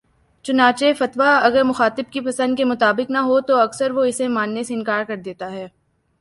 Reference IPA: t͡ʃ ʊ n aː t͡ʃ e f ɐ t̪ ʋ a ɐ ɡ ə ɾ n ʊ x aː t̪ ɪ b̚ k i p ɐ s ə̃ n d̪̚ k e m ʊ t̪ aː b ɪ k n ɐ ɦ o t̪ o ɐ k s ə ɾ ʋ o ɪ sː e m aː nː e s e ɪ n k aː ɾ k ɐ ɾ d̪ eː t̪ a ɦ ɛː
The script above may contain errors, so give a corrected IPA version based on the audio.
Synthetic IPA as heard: t͡ʃ ʊ n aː t͡ʃ e f ɐ t̪ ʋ a ɐ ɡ ə ɾ m ʊ x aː t̪ ɪ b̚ k i p ɐ s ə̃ n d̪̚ k e m ʊ t̪ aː b ɪ k n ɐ ɦ o t̪ o ɐ k s ə ɾ ʋ o ɪ s e m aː nː e s e ɪ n k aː ɾ k ɐ ɾ d̪ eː t̪ a ɦ ɛː